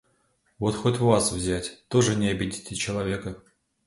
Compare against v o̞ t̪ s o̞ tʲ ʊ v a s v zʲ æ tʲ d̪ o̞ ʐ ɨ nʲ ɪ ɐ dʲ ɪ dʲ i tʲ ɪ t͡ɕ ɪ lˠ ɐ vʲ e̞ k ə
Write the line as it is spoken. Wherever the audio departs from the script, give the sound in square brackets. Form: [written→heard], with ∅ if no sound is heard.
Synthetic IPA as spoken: v o̞ t̪ [s→x] o̞ tʲ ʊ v a s v zʲ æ tʲ [d̪→t̪] o̞ ʐ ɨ nʲ ɪ ɐ [dʲ→bʲ] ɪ dʲ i tʲ ɪ t͡ɕ ɪ lˠ ɐ vʲ e̞ k ə